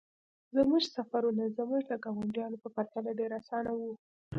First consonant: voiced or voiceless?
voiced